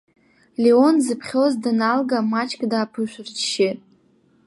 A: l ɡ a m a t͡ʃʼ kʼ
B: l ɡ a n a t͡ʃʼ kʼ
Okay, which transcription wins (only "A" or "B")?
A